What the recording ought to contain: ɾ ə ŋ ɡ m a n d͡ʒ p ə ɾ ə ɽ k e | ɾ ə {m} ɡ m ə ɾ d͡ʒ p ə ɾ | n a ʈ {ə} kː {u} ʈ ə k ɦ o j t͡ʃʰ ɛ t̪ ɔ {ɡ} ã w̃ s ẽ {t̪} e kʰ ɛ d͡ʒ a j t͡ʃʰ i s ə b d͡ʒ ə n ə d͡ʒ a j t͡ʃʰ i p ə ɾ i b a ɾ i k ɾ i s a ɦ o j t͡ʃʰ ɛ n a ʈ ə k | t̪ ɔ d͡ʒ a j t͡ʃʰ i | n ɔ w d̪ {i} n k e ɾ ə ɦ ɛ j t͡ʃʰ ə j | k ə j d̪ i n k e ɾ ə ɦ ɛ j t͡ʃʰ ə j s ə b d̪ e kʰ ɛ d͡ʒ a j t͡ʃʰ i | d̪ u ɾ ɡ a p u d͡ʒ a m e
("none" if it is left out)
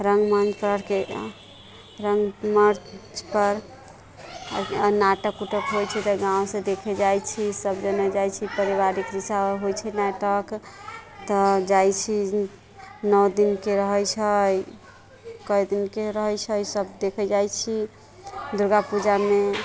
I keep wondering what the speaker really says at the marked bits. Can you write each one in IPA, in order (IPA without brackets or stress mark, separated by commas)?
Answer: ŋ, ə, u, ɡ, d̪, i